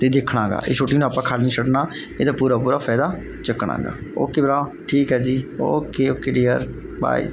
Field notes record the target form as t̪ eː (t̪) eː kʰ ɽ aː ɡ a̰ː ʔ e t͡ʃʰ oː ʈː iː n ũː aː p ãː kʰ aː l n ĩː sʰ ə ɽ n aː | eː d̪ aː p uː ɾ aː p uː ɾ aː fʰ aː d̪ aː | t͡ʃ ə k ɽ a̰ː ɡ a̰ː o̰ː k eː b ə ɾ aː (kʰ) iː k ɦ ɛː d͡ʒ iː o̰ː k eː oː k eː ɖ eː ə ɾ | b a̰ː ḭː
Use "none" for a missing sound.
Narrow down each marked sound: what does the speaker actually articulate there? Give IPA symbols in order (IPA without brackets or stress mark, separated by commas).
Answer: d̪, ʈʰ